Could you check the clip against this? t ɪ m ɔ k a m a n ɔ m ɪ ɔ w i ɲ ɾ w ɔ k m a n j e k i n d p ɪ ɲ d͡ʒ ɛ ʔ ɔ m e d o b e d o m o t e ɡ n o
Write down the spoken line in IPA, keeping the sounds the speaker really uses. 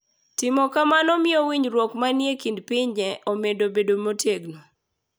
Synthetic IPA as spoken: t ɪ m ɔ k a m a n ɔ m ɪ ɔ w i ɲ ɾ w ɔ k m a n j e k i n d p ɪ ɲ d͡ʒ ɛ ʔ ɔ m e d o b e d o m o t e ɡ n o